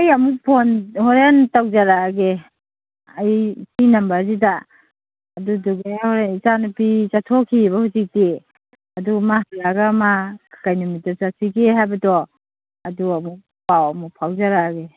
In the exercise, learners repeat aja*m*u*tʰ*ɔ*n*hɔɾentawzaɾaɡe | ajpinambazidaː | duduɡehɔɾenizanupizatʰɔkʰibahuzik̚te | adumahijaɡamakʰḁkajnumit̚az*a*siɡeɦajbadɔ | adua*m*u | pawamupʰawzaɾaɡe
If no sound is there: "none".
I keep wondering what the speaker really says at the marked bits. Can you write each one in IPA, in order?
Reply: m, pʰ, n, a, m

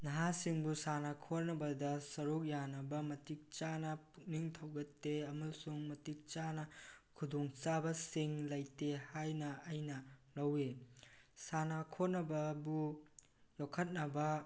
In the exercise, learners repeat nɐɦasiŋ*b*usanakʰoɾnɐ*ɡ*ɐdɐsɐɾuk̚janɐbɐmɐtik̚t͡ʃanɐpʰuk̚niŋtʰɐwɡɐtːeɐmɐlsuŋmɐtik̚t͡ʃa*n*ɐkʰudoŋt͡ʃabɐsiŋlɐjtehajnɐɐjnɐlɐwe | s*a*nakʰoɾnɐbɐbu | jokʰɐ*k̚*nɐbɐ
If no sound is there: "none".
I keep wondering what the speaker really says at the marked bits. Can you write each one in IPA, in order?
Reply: b, b, n, a, t̚

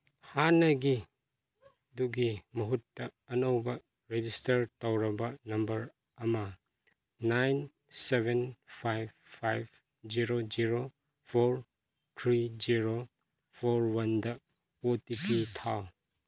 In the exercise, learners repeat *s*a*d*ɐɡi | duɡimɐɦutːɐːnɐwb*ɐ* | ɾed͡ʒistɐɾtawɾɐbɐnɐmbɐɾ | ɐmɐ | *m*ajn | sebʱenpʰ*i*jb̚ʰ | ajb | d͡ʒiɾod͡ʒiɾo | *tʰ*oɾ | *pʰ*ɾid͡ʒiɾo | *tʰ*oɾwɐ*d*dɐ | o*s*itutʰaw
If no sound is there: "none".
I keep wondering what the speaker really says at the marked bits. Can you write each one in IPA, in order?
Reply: h, n, ɐ, n, a, pʰ, tʰ, pʰ, n, t

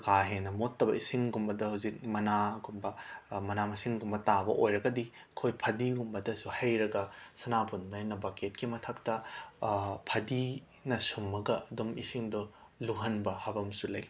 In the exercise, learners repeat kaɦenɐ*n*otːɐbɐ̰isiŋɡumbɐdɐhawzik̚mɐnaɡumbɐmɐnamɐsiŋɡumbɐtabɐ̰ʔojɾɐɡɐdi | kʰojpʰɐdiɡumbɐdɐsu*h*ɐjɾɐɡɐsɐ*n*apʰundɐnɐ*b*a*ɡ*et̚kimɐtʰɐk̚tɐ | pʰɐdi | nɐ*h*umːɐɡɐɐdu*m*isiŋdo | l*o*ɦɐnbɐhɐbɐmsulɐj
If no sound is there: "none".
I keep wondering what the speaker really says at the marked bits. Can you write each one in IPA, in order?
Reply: m, h, n, b, k, s, m, u

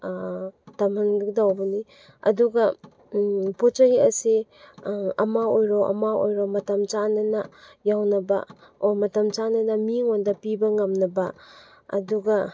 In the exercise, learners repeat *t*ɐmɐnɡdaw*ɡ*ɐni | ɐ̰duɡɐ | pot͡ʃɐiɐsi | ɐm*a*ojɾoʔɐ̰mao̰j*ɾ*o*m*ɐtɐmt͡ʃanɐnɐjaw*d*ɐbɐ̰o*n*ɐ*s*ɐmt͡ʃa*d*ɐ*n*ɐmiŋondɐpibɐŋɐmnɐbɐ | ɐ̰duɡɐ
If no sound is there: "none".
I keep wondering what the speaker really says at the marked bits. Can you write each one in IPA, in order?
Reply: t, b, a, ɾ, m, n, m, t, n, n

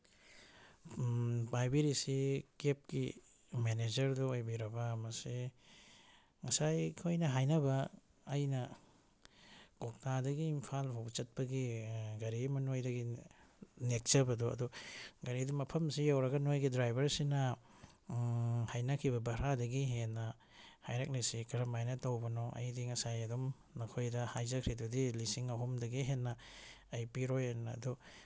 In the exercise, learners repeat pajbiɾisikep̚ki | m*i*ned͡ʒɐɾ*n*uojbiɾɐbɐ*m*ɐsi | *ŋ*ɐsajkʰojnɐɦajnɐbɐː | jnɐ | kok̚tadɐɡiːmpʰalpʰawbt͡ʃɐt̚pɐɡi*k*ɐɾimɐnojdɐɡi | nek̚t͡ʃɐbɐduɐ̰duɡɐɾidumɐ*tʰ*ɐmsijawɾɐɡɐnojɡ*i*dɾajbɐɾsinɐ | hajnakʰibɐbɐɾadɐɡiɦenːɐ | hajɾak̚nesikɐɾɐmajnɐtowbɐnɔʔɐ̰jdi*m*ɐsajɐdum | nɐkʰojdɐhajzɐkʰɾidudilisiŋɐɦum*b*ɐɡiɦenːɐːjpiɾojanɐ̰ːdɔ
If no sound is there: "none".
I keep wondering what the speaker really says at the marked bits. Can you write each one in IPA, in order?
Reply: e, d, m, ŋ, ɡ, pʰ, i, ŋ, d

